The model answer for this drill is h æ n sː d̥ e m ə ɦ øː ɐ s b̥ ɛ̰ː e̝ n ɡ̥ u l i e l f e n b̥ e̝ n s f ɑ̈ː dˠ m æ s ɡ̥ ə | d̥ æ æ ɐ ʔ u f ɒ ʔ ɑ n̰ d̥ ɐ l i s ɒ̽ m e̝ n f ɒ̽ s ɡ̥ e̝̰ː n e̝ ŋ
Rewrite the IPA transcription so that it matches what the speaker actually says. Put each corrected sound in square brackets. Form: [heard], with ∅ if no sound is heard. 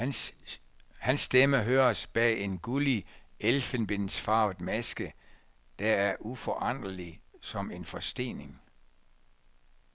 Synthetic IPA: h æ n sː d̥ e m ə ɦ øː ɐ s b̥ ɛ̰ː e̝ n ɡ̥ u l i e l f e n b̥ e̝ n s f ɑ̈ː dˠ m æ s ɡ̥ ə | d̥ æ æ ɐ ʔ u f ɒ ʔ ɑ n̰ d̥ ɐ l i s ɒ̽ m e̝ n f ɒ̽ s [d̥] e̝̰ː n e̝ ŋ